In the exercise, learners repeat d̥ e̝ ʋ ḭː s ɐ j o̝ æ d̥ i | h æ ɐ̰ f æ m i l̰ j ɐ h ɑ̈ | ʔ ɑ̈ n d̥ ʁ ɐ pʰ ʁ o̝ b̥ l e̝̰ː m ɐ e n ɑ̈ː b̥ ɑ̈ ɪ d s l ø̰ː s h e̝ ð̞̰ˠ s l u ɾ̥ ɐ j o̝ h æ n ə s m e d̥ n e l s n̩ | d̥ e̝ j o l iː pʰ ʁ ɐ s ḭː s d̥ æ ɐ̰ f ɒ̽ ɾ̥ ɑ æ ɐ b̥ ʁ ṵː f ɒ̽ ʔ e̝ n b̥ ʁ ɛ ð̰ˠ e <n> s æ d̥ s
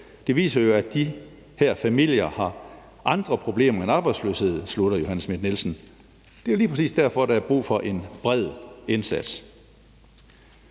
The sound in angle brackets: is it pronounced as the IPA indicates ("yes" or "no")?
yes